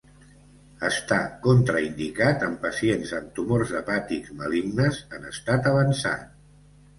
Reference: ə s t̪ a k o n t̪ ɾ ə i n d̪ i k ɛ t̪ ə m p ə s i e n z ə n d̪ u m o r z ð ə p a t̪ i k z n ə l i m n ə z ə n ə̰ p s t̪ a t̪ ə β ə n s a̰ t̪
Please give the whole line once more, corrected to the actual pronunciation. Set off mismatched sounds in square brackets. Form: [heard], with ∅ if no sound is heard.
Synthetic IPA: ə s t̪ a k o n t̪ ɾ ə i n d̪ i k [a] t̪ ə m p ə s i e n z ə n [t̪] u m o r z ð ə p a t̪ i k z [m] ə l i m n ə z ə n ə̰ [∅] s t̪ a t̪ ə β ə n s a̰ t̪